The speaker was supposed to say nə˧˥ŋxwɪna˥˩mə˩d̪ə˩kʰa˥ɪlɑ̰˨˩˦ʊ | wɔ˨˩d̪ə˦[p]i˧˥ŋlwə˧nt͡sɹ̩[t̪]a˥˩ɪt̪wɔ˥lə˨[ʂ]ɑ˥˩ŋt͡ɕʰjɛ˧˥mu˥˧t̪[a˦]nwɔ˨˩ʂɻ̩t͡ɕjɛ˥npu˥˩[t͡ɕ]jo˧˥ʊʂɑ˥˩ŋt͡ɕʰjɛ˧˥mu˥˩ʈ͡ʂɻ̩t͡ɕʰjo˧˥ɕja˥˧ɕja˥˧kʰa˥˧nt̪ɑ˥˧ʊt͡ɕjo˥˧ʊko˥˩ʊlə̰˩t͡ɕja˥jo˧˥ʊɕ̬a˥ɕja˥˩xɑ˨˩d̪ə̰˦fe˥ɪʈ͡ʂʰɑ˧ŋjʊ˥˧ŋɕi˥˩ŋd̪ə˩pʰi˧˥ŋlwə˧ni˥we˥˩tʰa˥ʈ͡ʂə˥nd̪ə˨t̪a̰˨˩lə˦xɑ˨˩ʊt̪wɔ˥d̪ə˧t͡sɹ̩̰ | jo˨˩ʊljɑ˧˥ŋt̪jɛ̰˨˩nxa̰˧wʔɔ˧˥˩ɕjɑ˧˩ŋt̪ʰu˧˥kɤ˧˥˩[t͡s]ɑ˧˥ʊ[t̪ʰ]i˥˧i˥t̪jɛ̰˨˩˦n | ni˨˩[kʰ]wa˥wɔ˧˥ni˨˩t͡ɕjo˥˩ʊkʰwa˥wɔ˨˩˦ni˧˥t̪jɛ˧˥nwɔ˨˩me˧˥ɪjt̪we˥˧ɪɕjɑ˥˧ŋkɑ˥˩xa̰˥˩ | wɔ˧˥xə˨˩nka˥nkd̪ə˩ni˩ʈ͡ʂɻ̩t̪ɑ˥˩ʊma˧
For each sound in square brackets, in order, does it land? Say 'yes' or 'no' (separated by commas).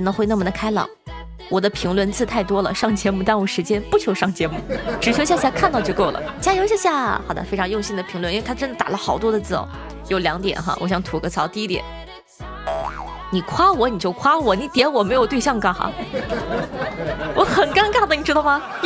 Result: no, no, yes, no, no, no, no, yes